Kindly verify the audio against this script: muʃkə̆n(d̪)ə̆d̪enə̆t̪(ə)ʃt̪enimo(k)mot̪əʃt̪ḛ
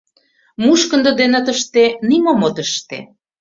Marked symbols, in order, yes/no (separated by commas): yes, yes, no